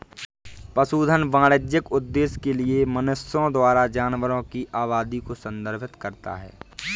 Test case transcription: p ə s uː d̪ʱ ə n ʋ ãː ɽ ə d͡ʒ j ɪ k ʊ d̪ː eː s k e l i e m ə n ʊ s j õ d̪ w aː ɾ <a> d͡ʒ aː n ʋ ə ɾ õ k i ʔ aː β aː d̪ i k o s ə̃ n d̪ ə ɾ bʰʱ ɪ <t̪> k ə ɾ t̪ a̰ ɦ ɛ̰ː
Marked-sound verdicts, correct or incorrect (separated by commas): correct, correct